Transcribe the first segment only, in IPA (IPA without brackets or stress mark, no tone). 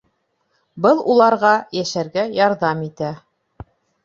b